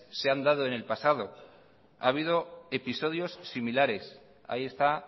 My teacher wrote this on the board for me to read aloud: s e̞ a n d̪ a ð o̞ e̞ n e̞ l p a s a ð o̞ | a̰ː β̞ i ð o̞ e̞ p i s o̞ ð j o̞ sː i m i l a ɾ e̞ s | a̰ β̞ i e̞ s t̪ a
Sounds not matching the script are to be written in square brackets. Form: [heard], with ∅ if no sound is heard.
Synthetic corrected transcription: s e̞ a n d̪ a ð o̞ e̞ n e̞ l p a s a ð o̞ | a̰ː β̞ i ð o̞ e̞ p i s o̞ ð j o̞ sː i m i l a ɾ e̞ s | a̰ [∅] i e̞ s t̪ a